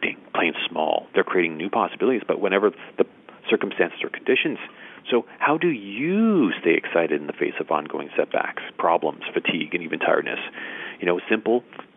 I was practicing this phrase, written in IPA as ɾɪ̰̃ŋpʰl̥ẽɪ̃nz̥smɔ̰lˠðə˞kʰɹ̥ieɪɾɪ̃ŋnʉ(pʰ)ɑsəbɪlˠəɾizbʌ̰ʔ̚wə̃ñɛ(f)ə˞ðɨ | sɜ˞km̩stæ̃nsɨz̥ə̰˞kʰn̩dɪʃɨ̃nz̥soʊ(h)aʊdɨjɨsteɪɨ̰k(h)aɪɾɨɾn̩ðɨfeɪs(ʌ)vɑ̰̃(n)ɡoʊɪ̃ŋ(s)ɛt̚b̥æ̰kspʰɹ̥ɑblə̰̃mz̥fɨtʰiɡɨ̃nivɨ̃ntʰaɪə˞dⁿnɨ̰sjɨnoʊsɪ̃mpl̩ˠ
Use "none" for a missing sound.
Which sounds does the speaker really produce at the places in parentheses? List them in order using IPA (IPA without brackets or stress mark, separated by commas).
pʰ, v, h, s, ʌ, n, s